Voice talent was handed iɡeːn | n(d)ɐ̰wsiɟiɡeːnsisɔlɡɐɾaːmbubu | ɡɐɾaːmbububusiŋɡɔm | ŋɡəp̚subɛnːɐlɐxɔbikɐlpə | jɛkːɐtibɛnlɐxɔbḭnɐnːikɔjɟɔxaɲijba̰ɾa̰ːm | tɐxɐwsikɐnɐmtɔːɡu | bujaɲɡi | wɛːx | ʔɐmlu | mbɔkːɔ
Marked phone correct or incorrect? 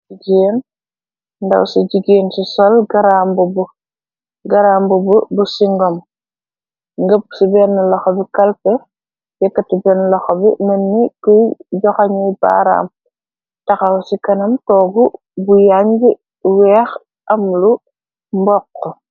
correct